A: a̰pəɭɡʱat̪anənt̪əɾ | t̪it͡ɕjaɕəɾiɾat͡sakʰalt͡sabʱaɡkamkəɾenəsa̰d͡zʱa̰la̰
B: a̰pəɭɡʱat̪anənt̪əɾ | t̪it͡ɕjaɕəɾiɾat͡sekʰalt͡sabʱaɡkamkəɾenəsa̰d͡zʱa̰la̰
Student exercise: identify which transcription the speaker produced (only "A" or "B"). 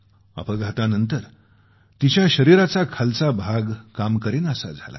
A